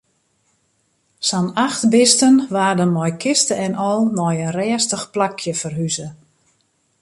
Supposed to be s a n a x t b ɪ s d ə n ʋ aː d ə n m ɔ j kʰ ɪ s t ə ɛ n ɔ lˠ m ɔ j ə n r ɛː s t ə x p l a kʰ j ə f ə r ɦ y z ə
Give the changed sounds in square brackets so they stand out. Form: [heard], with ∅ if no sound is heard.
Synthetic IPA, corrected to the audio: s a n a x t b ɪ s [t] ə n ʋ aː d ə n m ɔ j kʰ ɪ s t ə ɛ n ɔ lˠ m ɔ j ə n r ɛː s t ə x p l a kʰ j ə f ə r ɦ y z ə